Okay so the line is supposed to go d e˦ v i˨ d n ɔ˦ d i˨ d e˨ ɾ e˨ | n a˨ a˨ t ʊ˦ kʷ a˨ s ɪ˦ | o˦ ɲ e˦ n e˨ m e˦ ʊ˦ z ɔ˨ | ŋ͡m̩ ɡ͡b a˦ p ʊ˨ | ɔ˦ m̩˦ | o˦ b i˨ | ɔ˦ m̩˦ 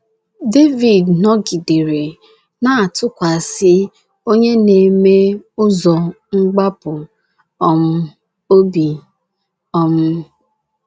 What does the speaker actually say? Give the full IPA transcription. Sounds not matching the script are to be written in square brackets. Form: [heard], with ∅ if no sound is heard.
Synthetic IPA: d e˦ v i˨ d n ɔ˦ [ɡ] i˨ d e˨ ɾ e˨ | n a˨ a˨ t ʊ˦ kʷ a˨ s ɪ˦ | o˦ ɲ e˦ n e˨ m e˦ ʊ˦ z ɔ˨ | ŋ͡m̩ ɡ͡b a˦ p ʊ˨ | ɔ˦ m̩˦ | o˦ b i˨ | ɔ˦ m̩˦

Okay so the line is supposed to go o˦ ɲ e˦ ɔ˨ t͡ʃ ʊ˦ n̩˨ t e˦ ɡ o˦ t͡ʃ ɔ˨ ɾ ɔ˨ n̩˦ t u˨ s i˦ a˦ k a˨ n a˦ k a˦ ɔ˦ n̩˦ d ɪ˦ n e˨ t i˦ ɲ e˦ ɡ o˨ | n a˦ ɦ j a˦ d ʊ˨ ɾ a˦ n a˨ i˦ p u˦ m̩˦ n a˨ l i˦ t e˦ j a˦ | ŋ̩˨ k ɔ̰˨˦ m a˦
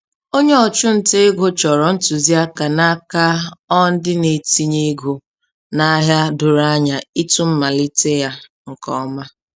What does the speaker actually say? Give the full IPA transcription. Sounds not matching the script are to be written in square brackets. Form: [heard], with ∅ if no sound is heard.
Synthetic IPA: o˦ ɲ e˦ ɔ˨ t͡ʃ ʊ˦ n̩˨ t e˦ ɡ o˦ t͡ʃ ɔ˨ ɾ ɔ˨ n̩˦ t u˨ [z] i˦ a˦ k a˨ n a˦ k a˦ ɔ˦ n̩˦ d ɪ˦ n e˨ t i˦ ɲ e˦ ɡ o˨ | n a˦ ɦ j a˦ d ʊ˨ ɾ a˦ [ɲ] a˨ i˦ [t] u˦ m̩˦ [m] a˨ l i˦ t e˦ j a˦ | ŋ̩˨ k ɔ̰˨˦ m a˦

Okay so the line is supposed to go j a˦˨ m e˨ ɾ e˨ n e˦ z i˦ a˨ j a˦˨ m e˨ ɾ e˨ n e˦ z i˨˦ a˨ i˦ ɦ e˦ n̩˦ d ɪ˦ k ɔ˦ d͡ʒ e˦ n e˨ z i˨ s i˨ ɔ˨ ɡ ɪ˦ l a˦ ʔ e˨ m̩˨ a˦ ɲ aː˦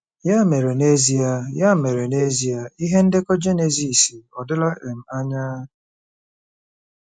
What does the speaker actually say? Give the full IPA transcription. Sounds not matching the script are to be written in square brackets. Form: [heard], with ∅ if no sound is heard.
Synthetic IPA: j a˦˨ m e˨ ɾ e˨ n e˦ z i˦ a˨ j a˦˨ m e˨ ɾ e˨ n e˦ z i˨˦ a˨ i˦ ɦ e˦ n̩˦ d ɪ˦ k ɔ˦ d͡ʒ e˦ n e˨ z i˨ s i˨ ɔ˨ [d] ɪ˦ l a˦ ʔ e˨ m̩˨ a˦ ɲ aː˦

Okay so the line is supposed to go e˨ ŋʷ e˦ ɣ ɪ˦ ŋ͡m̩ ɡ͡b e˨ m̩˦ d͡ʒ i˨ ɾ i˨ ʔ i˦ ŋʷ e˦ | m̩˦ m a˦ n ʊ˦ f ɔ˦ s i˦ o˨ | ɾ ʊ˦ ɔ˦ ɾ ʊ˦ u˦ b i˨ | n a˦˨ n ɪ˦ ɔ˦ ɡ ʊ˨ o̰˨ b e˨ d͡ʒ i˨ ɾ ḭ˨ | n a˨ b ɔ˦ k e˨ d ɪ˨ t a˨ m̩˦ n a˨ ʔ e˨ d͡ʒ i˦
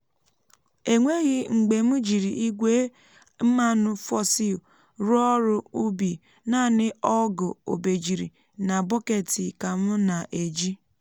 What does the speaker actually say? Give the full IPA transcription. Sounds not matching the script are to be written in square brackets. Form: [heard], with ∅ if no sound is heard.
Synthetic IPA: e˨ ŋʷ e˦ ɣ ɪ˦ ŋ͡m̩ ɡ͡b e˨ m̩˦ d͡ʒ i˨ ɾ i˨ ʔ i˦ [ɡʷ] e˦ | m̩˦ m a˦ n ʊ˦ f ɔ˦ s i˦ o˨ | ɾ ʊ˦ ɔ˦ ɾ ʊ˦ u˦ b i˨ | n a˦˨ n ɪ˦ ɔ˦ ɡ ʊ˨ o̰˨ b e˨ d͡ʒ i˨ ɾ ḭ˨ | n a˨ b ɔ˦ k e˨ [t] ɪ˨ [k] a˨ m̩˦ n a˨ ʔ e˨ d͡ʒ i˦

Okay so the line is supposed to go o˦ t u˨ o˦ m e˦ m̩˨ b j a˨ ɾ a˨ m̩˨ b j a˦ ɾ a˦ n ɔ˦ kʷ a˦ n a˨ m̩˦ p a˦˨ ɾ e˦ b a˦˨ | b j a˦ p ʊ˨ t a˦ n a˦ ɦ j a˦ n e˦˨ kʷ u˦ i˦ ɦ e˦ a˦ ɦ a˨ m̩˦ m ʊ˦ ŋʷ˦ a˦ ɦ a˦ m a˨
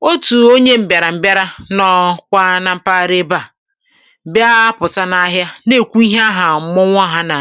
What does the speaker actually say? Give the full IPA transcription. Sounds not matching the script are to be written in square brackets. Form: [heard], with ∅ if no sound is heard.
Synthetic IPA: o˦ t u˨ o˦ [ɲ] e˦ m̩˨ b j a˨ ɾ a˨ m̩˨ b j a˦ ɾ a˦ n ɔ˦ kʷ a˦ n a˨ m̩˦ p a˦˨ ɾ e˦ b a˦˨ | b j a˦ p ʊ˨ t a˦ n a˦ ɦ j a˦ n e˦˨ kʷ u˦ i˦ ɦ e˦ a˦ ɦ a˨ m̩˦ m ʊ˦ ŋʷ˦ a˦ ɦ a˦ [n] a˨

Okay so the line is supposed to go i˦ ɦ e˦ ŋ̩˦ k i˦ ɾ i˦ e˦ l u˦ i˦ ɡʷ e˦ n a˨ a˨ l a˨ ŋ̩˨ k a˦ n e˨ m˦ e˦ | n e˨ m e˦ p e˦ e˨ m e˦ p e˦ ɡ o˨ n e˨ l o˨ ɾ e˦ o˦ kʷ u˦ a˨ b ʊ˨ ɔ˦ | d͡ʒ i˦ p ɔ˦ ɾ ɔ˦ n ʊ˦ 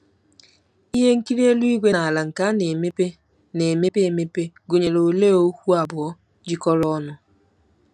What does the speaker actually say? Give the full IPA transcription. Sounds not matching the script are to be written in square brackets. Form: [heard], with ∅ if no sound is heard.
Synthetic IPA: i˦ ɦ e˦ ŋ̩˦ k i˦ ɾ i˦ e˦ l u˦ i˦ ɡʷ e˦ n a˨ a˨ l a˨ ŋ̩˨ k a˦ n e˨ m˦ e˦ | n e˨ m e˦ p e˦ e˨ m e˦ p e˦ ɡ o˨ [ɲ] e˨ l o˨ [l] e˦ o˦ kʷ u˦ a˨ b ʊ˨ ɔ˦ | d͡ʒ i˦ [k] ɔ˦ ɾ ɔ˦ n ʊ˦

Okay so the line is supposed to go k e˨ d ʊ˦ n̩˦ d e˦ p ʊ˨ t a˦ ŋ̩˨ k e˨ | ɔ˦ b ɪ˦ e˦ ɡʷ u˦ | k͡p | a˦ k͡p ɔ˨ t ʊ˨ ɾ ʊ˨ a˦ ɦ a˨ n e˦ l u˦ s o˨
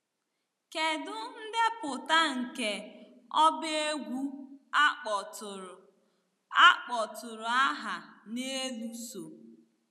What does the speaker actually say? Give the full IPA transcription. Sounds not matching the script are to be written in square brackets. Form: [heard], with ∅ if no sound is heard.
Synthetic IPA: k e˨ d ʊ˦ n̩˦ d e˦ p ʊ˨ t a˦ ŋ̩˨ k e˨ | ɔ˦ b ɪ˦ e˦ ɡʷ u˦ | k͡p | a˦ k͡p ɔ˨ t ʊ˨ ɾ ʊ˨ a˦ ɦ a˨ n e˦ l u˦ s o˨

